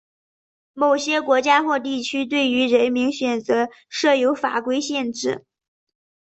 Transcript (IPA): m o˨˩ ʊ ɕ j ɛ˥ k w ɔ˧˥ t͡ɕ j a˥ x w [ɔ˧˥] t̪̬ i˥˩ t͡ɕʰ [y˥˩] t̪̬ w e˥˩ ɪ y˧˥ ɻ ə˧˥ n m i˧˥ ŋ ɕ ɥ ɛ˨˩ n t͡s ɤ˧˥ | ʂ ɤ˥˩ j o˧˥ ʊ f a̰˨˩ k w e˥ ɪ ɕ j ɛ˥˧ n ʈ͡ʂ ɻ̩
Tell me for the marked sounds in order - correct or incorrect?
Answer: incorrect: ɔ˥˧, incorrect: y˥

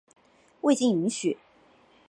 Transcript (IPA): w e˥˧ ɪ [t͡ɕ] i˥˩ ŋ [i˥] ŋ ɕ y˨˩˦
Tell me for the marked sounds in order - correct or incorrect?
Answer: correct, incorrect: i˧˥

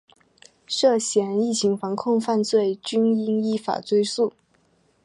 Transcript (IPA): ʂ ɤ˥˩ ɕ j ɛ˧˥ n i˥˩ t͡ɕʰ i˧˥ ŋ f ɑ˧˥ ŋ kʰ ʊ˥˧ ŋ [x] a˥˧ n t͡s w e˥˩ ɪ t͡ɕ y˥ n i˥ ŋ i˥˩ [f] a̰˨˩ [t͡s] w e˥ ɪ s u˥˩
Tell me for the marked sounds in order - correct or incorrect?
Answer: incorrect: f, correct, correct

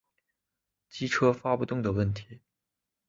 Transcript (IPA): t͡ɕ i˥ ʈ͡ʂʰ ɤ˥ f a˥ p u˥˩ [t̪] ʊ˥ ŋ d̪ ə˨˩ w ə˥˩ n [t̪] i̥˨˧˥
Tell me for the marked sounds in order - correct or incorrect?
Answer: correct, incorrect: t̪ʰ

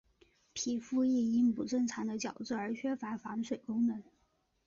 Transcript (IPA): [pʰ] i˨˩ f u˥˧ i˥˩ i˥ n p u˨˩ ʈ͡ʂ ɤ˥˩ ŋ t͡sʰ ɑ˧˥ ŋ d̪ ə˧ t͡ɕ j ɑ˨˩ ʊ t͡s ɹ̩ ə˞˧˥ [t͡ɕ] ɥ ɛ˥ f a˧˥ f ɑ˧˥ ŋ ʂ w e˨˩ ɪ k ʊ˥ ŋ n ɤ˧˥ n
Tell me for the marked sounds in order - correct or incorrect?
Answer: correct, incorrect: t͡ɕʰ

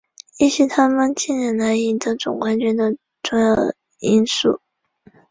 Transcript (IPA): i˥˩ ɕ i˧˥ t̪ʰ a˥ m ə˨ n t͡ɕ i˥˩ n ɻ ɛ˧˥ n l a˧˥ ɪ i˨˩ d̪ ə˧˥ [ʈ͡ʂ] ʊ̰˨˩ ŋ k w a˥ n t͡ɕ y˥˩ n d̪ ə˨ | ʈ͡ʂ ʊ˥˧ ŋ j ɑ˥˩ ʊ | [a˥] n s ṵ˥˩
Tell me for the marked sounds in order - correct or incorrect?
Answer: correct, incorrect: i˥

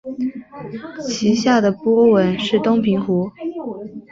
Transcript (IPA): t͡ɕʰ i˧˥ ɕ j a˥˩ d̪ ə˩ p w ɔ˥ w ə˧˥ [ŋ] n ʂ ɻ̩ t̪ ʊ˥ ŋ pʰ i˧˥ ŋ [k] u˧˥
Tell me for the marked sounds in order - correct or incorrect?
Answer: incorrect: none, incorrect: x

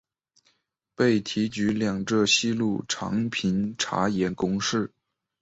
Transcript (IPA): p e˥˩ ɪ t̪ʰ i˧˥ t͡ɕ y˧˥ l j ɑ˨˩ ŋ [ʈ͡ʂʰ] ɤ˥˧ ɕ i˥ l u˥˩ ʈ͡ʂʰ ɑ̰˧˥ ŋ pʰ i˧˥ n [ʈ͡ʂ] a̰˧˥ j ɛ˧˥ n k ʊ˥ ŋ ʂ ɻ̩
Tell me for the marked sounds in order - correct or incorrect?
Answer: incorrect: ʈ͡ʂ, incorrect: ʈ͡ʂʰ

